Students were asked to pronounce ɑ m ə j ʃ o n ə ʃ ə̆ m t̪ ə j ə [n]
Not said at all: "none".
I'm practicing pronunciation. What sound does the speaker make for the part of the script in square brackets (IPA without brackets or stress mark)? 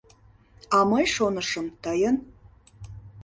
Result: n